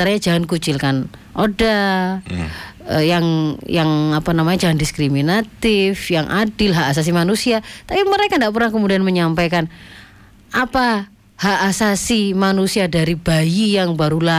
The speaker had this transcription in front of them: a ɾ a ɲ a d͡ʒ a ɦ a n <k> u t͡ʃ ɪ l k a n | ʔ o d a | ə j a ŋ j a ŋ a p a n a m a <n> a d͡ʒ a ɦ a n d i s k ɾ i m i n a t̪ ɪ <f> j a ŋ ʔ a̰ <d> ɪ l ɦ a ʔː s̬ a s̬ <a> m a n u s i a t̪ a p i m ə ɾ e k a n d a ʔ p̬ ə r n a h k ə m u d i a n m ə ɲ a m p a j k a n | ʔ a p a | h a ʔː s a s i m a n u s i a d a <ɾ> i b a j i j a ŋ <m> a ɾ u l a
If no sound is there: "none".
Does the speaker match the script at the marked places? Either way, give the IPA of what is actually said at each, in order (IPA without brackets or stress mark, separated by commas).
k, ɲ, f, d, i, ɾ, b